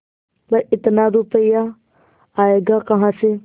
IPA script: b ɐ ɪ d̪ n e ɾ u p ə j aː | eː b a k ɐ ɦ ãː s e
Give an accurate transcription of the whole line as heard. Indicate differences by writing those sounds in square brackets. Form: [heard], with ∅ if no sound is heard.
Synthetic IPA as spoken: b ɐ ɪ [t̪] n [a] ɾ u p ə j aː | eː [ɡ] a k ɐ ɦ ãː s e